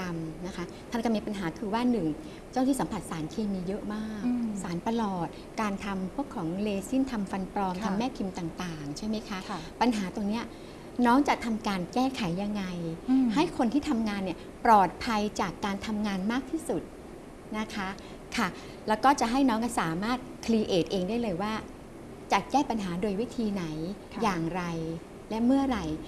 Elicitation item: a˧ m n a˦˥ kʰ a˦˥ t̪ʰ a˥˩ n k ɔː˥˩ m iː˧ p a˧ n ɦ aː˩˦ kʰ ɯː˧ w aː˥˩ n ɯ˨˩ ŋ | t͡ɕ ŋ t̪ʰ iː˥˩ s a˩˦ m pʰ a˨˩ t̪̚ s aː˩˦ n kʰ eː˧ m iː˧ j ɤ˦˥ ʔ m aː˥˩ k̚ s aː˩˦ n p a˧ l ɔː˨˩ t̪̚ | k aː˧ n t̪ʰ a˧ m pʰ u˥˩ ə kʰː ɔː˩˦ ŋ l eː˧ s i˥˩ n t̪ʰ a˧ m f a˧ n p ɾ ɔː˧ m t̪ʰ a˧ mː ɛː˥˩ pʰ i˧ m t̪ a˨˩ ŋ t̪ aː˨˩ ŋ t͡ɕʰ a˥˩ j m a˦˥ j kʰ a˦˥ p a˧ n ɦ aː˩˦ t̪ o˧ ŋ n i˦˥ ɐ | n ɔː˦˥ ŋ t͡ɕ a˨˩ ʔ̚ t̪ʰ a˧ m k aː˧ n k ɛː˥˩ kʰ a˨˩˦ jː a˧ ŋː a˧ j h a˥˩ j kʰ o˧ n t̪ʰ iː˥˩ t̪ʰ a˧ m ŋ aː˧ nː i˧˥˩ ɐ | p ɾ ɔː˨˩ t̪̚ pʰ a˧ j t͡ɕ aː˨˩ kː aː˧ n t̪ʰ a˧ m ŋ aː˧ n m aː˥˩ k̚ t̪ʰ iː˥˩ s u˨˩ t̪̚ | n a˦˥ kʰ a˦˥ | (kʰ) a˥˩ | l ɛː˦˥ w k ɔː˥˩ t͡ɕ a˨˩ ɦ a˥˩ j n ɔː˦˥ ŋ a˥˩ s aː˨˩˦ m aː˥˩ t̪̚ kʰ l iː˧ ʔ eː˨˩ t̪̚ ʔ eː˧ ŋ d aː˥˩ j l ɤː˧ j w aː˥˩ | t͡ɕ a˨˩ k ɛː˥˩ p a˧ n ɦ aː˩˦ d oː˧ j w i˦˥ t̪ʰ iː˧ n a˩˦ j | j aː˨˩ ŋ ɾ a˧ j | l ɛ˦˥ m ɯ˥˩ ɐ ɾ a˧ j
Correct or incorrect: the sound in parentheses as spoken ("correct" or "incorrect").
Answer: correct